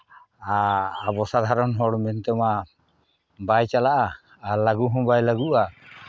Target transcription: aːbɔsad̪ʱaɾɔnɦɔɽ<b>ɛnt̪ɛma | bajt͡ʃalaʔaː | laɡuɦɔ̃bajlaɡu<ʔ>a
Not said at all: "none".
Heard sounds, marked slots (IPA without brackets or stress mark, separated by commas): m, ʔ